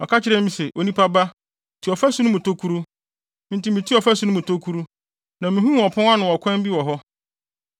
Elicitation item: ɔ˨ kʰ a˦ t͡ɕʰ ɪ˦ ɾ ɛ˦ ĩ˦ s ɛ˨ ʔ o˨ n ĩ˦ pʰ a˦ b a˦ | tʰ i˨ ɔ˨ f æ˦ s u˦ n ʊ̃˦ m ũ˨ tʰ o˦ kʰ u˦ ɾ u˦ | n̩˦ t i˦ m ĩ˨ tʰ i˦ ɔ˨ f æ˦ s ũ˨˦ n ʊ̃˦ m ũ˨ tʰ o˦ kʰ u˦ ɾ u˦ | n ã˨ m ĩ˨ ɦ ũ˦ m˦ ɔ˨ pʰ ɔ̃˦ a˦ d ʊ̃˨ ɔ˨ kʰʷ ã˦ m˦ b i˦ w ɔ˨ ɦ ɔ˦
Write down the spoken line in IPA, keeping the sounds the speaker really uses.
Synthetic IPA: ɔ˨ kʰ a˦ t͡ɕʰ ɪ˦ ɾ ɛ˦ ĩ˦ s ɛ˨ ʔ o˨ n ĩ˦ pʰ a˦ b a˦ | tʰ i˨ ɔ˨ f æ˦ s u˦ n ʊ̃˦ m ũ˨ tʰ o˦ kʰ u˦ ɾ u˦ | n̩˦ t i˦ m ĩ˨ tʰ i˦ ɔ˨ f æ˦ s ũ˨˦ n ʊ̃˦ m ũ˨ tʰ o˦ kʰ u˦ ɾ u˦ | n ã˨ m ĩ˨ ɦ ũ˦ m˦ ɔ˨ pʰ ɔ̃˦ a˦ n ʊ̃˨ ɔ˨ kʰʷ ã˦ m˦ b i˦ w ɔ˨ ɦ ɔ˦